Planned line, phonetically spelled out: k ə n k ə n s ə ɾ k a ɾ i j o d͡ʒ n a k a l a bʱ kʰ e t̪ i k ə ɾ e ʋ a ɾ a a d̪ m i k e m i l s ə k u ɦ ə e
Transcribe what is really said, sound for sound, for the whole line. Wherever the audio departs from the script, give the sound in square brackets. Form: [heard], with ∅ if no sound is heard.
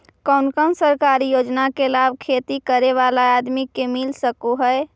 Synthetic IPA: k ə n k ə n s ə ɾ k a ɾ i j o d͡ʒ n a k [e] l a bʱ kʰ e t̪ i k ə ɾ e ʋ a [l] a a d̪ m i k e m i l s ə k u ɦ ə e